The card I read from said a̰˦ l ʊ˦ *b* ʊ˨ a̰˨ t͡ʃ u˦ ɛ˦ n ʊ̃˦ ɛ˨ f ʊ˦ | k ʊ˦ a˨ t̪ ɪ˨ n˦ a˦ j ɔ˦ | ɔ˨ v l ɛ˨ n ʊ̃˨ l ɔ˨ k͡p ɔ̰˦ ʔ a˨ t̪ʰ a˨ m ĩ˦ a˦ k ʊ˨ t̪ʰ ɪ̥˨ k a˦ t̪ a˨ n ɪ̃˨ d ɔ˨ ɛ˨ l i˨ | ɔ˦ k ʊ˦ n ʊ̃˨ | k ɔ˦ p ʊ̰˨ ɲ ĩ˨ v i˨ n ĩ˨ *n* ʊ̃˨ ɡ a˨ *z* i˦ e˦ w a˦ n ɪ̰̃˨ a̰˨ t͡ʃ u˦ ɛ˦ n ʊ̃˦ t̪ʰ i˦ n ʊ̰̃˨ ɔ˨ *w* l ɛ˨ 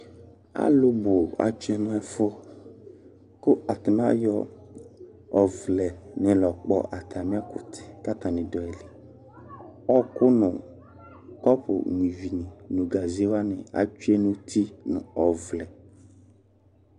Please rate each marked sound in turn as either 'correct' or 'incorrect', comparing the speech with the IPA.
correct, correct, correct, incorrect: v

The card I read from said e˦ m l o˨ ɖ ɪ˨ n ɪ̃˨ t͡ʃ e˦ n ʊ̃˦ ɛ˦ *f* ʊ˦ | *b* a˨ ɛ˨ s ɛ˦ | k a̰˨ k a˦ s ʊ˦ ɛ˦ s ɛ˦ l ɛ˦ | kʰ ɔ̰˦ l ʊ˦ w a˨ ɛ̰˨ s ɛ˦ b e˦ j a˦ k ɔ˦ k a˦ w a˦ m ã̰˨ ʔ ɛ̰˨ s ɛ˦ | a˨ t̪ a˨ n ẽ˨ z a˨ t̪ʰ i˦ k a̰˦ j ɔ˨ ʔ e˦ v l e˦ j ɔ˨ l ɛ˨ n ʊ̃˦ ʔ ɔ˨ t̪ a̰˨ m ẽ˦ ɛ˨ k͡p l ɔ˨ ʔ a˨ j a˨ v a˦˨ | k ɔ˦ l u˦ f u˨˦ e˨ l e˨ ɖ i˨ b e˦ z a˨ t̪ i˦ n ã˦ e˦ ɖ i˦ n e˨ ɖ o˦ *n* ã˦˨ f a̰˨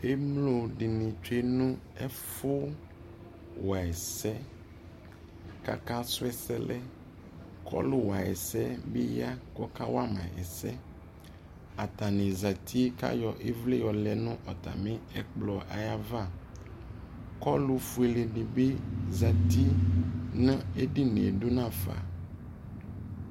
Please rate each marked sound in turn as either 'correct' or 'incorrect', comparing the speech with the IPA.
correct, incorrect: w, correct

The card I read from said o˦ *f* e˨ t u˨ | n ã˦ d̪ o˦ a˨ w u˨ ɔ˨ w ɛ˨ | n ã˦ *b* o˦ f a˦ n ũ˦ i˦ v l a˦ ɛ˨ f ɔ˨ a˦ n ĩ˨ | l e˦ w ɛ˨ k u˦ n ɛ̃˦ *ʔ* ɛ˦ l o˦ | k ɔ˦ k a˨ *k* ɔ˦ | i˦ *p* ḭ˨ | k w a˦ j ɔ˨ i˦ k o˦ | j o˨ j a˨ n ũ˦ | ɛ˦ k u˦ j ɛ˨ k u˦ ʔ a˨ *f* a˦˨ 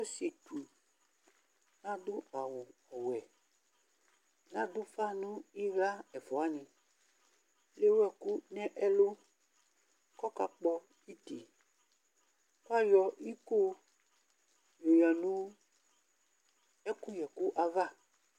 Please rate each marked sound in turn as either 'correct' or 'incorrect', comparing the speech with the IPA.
incorrect: s, incorrect: d, correct, incorrect: k͡p, incorrect: t, incorrect: v

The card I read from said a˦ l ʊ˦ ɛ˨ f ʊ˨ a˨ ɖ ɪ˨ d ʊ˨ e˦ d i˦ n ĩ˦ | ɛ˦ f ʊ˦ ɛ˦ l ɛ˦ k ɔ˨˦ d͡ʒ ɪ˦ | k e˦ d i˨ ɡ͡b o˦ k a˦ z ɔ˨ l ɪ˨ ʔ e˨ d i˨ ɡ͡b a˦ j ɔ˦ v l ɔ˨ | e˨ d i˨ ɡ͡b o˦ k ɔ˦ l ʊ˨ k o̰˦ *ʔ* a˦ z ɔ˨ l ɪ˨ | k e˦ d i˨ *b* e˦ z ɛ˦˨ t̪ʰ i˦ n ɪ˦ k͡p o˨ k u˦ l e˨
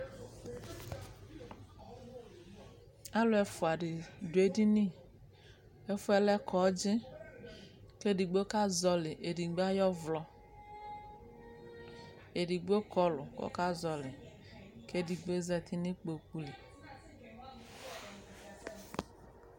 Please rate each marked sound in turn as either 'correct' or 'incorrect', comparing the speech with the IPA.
incorrect: k, incorrect: ɡ͡b

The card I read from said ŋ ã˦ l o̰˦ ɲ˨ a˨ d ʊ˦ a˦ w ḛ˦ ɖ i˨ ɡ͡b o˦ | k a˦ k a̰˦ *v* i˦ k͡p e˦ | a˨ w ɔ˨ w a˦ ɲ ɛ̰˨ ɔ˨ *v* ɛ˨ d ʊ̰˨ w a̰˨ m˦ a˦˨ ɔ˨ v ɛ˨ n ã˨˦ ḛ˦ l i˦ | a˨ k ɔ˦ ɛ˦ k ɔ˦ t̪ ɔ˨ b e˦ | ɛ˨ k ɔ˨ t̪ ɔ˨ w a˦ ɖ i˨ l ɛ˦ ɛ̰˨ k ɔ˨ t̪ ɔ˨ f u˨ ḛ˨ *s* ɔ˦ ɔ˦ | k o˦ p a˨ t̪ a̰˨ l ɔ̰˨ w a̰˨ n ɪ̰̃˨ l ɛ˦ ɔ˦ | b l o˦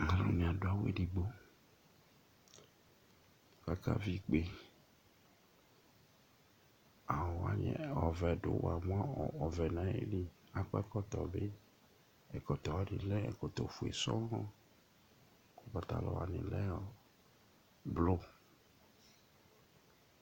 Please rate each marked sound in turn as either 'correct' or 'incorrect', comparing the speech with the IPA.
correct, correct, correct

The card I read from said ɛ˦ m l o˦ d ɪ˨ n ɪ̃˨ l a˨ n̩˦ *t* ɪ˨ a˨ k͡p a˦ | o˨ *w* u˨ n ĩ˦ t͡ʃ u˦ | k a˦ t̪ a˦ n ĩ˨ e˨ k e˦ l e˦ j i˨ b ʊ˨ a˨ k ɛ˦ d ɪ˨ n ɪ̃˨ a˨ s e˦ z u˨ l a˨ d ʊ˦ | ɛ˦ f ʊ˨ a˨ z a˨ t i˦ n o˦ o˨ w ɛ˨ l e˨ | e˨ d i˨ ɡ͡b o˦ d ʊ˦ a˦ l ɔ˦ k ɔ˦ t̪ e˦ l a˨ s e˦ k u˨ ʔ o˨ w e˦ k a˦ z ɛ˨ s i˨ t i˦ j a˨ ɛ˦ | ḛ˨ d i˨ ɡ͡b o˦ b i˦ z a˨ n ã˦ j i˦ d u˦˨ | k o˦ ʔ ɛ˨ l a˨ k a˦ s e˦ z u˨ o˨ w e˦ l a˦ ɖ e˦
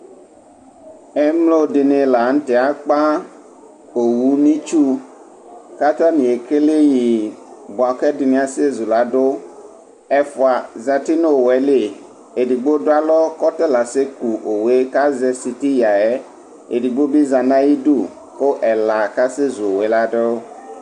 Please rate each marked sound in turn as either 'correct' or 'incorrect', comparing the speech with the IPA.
correct, correct

